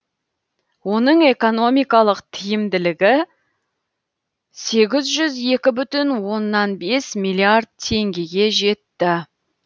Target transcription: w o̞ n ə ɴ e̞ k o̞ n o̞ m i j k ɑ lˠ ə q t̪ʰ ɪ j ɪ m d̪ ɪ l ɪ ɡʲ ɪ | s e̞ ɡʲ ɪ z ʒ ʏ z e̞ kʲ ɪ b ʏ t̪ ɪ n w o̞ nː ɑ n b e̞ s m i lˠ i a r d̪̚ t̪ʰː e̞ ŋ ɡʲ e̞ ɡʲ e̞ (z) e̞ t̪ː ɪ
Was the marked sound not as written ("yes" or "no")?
yes